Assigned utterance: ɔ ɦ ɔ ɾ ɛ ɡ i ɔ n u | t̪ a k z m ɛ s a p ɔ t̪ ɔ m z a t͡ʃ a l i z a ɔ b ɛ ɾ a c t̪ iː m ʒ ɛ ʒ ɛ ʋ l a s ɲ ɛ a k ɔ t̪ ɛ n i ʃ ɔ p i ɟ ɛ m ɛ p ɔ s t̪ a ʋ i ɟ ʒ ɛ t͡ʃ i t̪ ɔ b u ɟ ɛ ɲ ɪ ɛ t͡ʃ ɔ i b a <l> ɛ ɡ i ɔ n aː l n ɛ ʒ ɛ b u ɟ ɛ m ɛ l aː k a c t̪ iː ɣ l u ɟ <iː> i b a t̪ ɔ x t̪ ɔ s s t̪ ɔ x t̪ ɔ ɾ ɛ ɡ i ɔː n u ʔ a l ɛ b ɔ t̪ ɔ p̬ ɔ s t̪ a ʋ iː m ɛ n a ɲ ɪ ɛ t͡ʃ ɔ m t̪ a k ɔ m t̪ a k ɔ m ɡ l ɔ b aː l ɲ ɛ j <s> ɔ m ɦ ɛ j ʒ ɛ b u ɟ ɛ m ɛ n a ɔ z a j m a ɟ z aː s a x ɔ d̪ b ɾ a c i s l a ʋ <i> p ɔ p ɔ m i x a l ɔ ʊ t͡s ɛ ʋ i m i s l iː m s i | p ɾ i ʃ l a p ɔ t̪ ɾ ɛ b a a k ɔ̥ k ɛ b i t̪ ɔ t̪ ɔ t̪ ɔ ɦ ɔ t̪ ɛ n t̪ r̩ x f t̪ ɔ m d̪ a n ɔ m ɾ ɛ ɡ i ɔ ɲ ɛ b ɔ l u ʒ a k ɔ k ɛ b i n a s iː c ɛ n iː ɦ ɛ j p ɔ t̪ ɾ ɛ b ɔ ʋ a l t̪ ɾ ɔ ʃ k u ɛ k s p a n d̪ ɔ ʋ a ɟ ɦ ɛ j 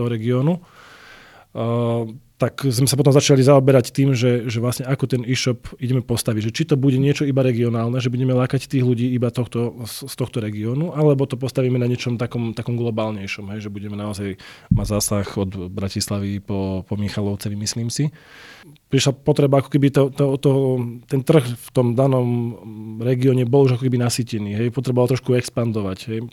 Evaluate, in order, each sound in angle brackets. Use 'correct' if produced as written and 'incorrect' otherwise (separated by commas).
incorrect, correct, incorrect, correct